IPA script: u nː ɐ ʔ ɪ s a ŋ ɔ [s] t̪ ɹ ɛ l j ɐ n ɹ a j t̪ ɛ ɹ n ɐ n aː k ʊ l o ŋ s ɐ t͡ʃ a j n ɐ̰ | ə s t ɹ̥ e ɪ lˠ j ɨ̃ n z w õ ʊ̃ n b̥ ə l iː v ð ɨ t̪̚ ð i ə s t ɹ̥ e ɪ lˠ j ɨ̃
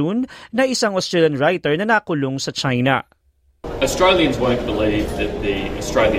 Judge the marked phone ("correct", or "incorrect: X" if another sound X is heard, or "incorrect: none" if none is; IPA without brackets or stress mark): correct